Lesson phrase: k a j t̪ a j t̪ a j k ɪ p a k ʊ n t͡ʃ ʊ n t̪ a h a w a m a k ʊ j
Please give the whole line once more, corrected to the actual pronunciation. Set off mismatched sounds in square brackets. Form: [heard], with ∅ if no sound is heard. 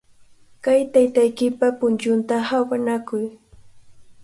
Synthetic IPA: k a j t̪ a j t̪ a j k ɪ p a [p] ʊ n t͡ʃ ʊ n t̪ a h a w a [n] a k ʊ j